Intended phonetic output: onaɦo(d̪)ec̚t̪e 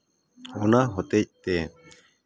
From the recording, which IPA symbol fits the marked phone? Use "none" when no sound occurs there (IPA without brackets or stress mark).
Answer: t̪